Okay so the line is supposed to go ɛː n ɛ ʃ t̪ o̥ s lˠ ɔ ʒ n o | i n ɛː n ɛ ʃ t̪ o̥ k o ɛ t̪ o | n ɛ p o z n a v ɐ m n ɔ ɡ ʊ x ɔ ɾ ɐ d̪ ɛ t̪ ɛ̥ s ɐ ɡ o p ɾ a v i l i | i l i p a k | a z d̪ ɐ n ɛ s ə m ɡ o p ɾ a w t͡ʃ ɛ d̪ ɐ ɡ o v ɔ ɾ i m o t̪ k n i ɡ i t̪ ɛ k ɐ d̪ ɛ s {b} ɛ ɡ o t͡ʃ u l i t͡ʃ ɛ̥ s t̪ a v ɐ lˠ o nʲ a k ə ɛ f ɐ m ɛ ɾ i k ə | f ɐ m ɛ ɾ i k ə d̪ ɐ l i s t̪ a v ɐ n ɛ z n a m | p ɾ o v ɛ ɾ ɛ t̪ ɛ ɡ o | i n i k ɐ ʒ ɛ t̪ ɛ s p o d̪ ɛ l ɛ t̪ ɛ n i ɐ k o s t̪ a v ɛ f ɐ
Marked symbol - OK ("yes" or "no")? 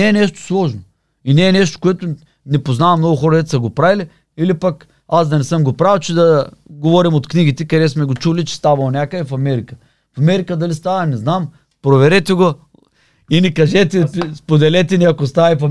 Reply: no